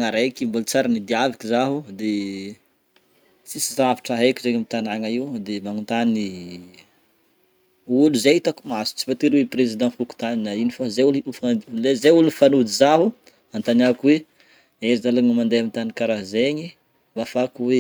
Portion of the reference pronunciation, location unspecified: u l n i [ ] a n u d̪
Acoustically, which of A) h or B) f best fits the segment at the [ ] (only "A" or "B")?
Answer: B